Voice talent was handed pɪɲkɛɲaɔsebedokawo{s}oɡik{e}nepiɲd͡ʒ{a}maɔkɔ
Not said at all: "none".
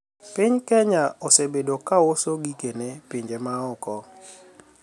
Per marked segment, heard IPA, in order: s, e, e

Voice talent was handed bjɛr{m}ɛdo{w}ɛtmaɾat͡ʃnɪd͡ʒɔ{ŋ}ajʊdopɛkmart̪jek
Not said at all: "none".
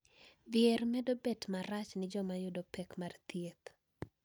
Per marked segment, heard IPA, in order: m, b, m

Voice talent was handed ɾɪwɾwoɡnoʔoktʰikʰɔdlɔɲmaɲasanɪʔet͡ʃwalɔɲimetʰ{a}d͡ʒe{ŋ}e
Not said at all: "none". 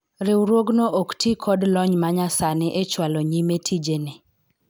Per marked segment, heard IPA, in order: i, n

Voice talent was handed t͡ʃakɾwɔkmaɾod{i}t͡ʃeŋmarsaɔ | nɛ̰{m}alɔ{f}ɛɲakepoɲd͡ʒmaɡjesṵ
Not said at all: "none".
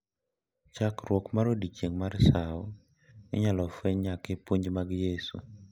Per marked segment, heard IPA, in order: i, ɲ, f

